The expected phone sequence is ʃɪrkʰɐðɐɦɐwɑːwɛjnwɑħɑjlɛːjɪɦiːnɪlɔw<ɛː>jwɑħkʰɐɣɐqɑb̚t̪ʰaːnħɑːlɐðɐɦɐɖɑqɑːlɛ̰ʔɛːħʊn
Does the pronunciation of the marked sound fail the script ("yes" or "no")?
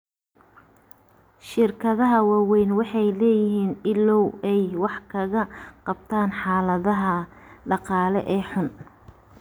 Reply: yes